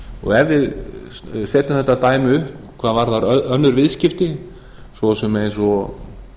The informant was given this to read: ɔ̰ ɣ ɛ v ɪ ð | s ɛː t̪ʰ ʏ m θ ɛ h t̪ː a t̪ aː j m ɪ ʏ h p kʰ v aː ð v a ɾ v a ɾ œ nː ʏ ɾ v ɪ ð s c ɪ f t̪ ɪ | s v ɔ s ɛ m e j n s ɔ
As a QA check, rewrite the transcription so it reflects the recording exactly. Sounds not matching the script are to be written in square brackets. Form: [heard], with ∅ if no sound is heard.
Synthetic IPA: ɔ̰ ɣ ɛ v ɪ ð | s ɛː [t̪] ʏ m θ ɛ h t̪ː a t̪ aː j m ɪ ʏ h p kʰ v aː ð v a ɾ [ð] a ɾ œ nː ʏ ɾ v ɪ ð s c ɪ f t̪ ɪ | s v ɔ s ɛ m e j n s ɔ